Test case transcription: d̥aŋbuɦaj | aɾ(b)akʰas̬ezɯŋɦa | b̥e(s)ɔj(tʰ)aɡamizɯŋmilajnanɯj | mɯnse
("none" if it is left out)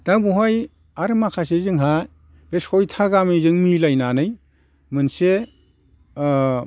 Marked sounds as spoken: m, s, tʰ

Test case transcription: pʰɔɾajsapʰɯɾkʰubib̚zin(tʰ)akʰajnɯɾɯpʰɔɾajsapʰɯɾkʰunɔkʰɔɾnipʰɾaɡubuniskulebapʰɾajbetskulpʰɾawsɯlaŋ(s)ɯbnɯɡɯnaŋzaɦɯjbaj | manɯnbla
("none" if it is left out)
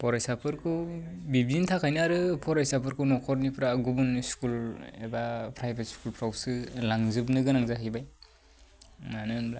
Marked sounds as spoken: tʰ, z

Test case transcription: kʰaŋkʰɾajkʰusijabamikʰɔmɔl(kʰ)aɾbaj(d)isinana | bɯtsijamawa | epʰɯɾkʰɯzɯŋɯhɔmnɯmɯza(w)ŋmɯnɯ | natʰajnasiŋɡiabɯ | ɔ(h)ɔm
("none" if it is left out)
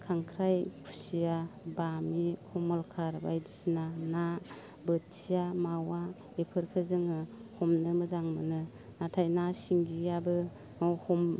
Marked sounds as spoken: kʰ, d, none, h

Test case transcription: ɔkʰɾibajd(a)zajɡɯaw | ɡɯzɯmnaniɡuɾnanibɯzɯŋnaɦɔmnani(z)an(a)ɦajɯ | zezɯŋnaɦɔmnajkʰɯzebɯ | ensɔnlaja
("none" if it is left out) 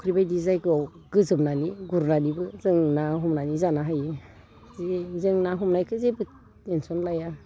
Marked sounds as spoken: i, z, a

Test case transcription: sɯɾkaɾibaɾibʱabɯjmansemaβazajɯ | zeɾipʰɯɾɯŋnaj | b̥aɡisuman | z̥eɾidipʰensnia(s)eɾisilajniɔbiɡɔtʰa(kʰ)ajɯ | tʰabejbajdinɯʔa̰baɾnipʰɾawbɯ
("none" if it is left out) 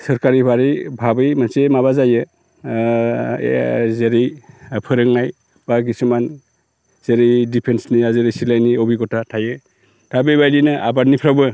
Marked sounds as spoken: z, tʰ

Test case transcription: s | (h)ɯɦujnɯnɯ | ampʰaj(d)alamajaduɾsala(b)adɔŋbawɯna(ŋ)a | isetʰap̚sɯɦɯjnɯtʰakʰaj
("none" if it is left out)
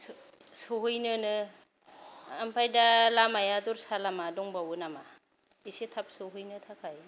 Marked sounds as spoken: s, d, m, m

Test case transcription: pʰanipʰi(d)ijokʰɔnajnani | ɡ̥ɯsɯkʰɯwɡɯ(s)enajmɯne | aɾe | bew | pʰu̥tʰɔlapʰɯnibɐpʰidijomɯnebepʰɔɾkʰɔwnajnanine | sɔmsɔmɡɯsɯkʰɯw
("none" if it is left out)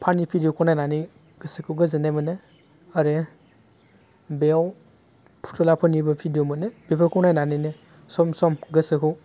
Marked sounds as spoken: d, z

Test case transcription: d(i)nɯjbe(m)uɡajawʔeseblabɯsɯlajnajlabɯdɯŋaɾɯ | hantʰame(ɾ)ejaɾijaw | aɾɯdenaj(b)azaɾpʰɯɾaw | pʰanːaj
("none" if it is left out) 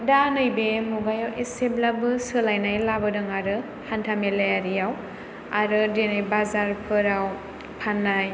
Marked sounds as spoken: a, m, l, b

